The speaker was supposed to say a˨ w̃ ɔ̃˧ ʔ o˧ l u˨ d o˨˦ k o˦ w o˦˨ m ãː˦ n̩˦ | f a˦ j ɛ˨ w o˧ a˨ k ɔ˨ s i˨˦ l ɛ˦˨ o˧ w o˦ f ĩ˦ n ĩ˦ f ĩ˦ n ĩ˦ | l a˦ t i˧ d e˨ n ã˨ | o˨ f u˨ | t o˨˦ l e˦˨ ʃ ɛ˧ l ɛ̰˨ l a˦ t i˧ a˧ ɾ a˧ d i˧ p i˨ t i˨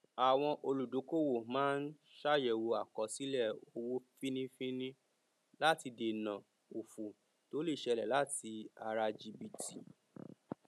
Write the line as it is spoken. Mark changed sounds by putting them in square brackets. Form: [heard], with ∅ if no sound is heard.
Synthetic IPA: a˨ w̃ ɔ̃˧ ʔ o˧ l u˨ d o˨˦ k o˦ w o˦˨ m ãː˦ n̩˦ | [ʃ] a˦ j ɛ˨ w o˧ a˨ k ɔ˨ s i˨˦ l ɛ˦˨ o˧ w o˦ f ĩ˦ n ĩ˦ f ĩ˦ n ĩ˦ | l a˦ t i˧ d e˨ n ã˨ | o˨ f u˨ | t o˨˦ l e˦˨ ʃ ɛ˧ l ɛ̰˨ l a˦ t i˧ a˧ ɾ a˧ [d͡ʒ] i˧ [b] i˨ t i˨